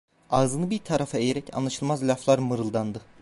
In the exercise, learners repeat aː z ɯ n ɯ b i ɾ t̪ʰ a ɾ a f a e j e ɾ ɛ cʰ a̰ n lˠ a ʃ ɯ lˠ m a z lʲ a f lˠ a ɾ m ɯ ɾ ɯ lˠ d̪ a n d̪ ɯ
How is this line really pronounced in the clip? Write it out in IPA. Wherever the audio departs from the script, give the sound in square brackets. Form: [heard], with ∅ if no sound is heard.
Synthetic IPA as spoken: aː z ɯ n ɯ b i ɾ t̪ʰ a ɾ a f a e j e ɾ ɛ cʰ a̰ n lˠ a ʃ ɯ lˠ m a z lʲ a f lˠ a ɾ m ɯ ɾ ɯ lˠ d̪ a n d̪ ɯ